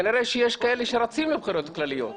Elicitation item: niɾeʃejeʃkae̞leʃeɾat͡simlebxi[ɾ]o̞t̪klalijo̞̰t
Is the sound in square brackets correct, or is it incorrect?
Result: correct